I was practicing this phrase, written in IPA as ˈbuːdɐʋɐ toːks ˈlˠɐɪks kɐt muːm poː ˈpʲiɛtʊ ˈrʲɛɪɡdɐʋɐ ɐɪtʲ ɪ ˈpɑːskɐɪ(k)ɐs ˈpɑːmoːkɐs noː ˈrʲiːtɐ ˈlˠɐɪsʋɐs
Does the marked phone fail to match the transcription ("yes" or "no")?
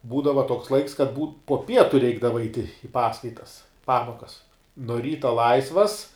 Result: yes